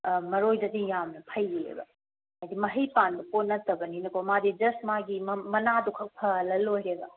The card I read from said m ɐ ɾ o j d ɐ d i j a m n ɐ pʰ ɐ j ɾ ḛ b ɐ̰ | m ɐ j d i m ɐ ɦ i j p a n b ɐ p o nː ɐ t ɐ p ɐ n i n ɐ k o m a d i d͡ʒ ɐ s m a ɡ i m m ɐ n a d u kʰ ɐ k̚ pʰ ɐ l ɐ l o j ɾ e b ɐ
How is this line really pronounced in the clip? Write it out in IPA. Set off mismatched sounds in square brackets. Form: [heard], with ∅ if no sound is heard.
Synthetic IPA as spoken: m ɐ ɾ o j d ɐ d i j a m n ɐ pʰ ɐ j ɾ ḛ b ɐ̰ | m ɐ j d i m ɐ ɦ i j p a n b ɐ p o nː ɐ t ɐ [b] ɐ n i n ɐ k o m a d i d͡ʒ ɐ s m a ɡ i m m ɐ n a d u kʰ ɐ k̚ pʰ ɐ l ɐ l o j ɾ e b ɐ

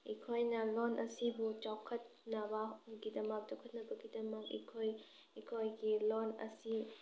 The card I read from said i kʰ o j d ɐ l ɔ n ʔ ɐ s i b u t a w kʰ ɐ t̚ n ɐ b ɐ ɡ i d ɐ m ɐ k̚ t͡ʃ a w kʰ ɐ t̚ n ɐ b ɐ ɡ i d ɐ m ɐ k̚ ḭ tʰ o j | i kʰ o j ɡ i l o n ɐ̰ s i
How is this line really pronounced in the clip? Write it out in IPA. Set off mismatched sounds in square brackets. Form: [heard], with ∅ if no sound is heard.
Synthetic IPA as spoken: i kʰ o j [n] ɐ l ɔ n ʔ ɐ s i b u [t͡ʃ] a w kʰ ɐ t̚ n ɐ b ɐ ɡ i d ɐ m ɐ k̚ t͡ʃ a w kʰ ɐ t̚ n ɐ b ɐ ɡ i d ɐ m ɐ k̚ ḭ [kʰ] o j | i kʰ o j ɡ i l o n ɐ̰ s i

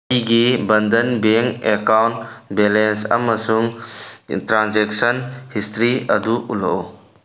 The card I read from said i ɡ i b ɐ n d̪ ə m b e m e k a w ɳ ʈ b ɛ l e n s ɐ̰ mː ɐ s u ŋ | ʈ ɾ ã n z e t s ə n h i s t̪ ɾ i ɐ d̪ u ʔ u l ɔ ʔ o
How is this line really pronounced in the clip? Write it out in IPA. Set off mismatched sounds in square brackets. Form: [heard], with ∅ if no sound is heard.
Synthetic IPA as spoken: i ɡ i b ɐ n d̪ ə [n] b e [ŋ] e k a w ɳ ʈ b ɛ l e n s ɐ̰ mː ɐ s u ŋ | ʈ ɾ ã n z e [k] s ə n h i s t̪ ɾ i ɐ d̪ u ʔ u l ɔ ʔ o

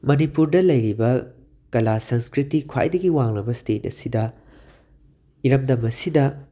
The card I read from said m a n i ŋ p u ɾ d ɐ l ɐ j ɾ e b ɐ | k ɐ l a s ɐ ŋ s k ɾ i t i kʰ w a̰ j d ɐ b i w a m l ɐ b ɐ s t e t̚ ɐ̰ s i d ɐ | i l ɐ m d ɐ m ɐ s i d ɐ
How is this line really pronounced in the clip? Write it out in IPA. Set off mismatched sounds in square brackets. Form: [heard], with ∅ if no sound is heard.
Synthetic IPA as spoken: m [ɐ] n i [∅] p u ɾ d ɐ l ɐ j ɾ [i] b ɐ | k ɐ l a s ɐ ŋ s k ɾ i t i kʰ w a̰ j d ɐ [ɡ] i w a [ŋ] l ɐ b ɐ s t e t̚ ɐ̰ s i d ɐ | i [ɾ] ɐ m d ɐ m ɐ s i d ɐ

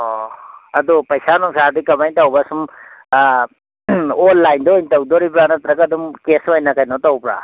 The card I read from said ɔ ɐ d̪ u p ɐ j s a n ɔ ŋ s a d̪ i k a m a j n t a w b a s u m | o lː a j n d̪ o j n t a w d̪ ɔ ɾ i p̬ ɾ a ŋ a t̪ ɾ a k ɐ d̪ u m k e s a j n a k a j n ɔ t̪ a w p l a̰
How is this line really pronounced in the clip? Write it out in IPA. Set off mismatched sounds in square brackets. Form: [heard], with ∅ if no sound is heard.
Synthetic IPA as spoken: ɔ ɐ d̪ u p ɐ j s a n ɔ ŋ s a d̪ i k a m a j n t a w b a s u m | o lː a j n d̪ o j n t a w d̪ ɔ ɾ i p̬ ɾ a [n] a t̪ ɾ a k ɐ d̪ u m k e s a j n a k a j n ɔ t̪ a w p [ɾ] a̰

